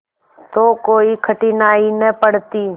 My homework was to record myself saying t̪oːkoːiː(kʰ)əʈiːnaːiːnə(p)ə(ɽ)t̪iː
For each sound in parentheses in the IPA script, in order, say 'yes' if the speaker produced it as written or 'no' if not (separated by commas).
yes, yes, yes